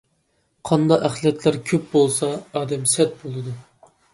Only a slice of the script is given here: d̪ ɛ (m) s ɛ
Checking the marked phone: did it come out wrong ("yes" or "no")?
no